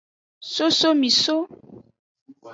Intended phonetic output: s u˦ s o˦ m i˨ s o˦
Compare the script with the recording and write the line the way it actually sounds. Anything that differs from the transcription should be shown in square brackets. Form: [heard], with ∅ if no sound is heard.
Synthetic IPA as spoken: s [o˦] s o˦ m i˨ s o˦